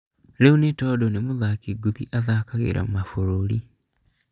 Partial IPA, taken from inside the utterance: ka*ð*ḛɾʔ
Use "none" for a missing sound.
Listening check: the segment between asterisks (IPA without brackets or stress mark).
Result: ɣ